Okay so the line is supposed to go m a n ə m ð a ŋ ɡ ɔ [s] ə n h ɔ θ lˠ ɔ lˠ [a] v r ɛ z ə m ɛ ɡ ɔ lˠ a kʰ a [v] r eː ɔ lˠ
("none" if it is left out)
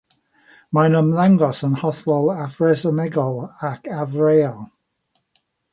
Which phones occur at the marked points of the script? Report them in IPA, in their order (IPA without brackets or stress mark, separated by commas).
s, a, v